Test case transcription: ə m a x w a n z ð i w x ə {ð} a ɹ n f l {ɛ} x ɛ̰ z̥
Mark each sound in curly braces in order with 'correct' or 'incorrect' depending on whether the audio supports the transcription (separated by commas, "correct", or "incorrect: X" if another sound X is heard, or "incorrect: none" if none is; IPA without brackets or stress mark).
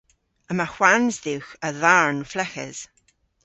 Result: correct, correct